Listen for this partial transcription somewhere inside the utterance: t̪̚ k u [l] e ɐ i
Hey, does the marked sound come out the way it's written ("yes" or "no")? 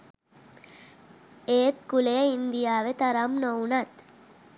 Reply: yes